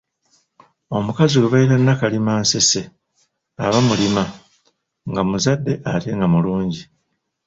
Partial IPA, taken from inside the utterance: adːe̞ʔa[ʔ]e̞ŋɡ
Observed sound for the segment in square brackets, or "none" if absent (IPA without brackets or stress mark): t